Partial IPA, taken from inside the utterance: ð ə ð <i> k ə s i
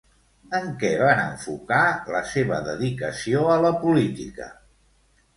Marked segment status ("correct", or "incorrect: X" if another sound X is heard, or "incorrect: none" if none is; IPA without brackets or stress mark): correct